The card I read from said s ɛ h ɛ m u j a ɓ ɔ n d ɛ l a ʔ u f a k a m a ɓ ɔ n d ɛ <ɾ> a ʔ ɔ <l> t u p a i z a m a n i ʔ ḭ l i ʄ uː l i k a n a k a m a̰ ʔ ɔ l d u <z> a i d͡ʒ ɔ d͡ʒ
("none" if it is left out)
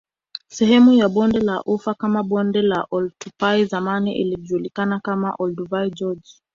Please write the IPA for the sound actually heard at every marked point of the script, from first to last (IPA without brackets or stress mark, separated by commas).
l, l, v